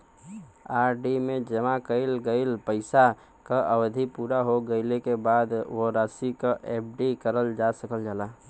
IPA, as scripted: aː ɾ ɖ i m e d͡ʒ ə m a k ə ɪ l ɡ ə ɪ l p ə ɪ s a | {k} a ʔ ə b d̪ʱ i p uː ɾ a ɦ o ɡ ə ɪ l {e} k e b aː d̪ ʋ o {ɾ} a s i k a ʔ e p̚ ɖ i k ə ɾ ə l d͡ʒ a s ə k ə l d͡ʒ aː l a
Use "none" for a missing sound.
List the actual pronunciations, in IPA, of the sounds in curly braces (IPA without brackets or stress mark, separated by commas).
k, e, ɾ